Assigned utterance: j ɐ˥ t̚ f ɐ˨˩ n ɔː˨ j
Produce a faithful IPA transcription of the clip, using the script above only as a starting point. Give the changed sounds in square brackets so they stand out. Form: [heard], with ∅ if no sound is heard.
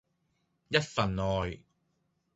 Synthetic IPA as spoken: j ɐ˥ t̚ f ɐ˨˩ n ɔː˨ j